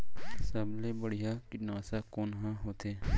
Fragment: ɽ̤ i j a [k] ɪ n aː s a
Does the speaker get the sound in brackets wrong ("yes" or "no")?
no